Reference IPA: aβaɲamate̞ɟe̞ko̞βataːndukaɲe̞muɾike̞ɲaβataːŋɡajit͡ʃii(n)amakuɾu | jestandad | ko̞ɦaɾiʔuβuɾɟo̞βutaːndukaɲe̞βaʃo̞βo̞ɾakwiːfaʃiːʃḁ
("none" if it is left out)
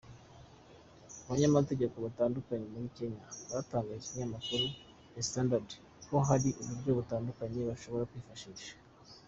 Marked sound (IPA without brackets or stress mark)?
ɲ